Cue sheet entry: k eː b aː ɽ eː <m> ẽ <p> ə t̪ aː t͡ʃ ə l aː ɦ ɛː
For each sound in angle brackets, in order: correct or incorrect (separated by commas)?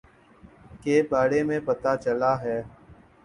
correct, correct